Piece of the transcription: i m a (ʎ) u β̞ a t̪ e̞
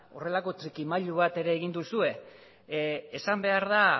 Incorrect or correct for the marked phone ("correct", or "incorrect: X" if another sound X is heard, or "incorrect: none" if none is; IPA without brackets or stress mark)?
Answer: correct